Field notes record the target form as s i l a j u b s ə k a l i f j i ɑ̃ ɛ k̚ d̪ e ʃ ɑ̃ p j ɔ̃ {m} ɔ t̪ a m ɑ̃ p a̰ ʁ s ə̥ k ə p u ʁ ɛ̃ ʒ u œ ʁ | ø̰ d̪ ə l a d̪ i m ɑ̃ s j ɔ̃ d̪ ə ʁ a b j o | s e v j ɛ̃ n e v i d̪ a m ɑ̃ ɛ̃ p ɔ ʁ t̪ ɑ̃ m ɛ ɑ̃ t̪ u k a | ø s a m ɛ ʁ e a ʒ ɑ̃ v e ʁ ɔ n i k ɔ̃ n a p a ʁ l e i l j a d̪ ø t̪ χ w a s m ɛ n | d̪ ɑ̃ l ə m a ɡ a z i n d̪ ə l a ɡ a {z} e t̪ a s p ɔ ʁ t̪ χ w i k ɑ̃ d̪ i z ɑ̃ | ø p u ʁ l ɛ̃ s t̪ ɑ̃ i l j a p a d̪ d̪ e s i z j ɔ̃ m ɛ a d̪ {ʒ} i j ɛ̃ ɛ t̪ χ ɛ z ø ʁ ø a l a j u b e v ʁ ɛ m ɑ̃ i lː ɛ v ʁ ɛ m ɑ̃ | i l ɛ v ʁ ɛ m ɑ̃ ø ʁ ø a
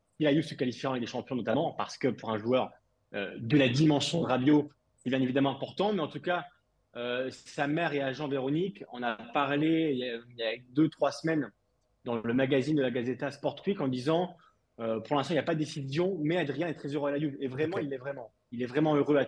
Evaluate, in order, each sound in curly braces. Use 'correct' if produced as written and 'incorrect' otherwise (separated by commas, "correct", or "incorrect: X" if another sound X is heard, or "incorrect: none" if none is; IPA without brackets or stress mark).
incorrect: n, correct, incorrect: ʁ